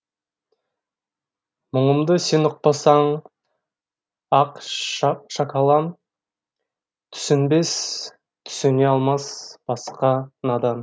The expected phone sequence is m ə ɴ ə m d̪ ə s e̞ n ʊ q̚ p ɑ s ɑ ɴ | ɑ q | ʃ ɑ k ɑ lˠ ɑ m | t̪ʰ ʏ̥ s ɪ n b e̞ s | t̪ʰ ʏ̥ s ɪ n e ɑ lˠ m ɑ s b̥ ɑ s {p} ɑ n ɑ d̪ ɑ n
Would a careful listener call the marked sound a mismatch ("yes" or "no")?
yes